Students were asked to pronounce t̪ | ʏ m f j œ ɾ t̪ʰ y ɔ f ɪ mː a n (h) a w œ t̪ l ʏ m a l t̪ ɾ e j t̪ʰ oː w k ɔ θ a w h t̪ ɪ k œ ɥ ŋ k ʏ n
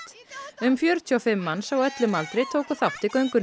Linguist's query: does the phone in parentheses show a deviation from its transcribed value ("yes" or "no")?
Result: yes